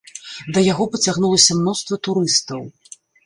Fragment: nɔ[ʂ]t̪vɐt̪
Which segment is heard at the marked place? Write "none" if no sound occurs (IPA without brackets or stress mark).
s